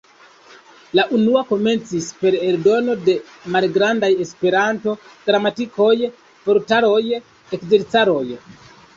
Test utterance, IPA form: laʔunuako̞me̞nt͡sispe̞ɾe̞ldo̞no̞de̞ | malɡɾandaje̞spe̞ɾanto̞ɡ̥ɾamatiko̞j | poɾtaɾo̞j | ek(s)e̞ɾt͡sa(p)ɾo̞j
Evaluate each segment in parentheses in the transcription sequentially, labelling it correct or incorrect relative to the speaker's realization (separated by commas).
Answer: incorrect, incorrect